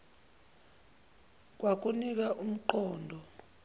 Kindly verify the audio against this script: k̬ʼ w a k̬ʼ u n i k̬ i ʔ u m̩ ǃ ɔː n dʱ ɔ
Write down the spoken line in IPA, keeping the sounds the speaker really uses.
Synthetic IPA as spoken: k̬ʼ w a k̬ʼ u n i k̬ a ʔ u m̩ ǃ ɔː n dʱ ɔ